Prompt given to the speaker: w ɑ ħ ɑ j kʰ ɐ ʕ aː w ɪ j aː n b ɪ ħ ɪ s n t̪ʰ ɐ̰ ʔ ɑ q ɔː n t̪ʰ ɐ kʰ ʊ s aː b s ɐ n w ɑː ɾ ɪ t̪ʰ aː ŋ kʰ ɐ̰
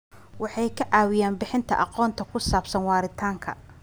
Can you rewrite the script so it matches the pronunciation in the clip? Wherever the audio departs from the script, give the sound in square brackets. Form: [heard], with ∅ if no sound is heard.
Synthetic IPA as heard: w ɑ ħ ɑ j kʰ ɐ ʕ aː w ɪ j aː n b ɪ ħ ɪ [∅] n t̪ʰ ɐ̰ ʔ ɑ q ɔː n t̪ʰ ɐ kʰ ʊ s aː b s ɐ n w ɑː ɾ ɪ t̪ʰ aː ŋ kʰ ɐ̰

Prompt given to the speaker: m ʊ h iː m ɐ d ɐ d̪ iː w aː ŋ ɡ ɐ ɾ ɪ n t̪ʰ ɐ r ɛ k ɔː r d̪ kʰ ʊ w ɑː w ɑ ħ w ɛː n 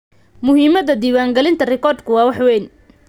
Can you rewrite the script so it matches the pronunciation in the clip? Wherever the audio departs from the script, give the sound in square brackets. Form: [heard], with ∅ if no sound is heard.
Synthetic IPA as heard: m ʊ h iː m ɐ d ɐ d̪ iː w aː ŋ ɡ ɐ [l] ɪ n t̪ʰ ɐ r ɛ k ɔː r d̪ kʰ ʊ w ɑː w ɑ ħ w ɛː n

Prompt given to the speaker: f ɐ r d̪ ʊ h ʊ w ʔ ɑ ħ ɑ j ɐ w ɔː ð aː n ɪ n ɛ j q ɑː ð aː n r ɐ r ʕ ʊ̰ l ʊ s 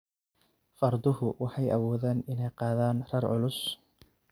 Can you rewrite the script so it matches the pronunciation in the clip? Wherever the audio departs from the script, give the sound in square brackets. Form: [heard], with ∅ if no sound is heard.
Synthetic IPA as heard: f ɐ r d̪ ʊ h ʊ w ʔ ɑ ħ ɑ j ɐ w ɔː ð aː n ɪ n ɛ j q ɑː ð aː n r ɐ r ʕ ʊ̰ l ʊ s

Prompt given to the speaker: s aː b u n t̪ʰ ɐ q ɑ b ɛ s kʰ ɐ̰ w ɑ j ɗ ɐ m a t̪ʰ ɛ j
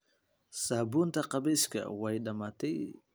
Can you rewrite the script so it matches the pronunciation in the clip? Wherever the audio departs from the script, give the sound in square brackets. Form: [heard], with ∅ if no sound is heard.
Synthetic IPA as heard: s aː b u n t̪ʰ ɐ q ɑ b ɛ s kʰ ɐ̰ w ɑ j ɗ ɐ m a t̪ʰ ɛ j

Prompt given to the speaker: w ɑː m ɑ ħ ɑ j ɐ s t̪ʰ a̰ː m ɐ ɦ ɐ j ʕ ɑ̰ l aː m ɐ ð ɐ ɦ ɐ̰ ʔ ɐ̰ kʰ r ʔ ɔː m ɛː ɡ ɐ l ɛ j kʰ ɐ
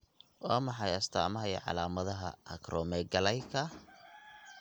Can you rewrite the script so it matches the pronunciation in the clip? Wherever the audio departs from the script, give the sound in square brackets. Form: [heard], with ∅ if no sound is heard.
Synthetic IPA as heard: w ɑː m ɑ ħ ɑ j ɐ s t̪ʰ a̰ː m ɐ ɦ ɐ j ʕ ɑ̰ l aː m ɐ ð ɐ ɦ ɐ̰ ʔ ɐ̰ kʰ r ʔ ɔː m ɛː ɡ ɐ l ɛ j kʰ ɐ

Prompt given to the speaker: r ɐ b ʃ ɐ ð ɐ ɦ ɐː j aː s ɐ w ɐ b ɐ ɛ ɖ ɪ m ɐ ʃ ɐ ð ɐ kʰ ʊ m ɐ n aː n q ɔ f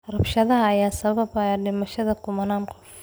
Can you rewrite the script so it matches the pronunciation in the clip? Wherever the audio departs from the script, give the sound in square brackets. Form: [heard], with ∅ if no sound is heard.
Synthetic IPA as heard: r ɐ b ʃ ɐ ð ɐ ɦ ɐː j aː s ɐ [β] ɐ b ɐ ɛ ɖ ɪ m ɐ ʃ ɐ ð ɐ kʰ ʊ m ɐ n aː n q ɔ f

